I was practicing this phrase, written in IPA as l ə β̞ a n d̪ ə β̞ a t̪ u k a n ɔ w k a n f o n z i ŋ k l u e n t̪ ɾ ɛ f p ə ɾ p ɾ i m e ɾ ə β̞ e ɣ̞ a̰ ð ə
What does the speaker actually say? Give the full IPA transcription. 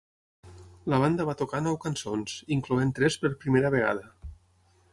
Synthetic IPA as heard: l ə β̞ a n d̪ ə β̞ a t̪ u k a n ɔ w k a n s o n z i ŋ k l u e n t̪ ɾ ɛ s p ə ɾ p ɾ i m e ɾ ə β̞ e ɣ̞ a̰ ð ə